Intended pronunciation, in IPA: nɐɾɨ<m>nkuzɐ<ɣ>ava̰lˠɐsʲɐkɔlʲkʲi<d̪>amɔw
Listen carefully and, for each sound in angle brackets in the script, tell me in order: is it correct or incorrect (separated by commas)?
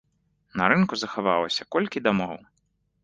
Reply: incorrect, incorrect, correct